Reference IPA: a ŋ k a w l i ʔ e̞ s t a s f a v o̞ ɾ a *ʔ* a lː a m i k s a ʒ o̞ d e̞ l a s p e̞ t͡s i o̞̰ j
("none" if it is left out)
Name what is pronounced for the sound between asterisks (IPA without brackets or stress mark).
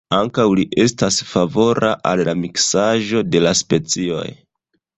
ʔ